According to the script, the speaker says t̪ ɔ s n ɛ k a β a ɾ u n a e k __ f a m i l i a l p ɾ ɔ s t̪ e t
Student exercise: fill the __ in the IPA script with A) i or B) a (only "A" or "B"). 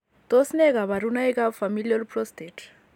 B